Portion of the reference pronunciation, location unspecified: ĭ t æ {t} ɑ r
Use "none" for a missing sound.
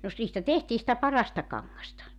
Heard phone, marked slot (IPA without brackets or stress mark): p